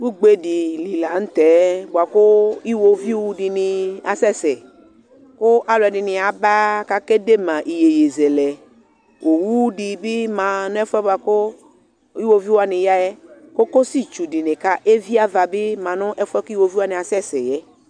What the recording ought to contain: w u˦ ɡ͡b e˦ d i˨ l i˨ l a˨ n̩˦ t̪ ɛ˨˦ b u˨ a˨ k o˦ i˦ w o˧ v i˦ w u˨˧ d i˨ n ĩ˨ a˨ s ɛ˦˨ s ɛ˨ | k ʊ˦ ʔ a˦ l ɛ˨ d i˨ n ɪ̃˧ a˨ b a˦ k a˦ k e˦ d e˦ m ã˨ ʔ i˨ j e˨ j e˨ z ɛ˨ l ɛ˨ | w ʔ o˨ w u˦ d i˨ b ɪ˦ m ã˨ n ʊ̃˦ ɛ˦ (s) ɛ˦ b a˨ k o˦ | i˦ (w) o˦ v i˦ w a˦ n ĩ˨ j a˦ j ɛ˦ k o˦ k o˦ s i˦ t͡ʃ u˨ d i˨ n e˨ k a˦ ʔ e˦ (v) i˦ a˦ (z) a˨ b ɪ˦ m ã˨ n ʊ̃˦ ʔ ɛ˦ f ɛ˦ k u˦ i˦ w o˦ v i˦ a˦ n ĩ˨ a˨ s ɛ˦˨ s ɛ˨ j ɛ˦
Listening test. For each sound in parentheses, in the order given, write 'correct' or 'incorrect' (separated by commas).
incorrect, correct, correct, incorrect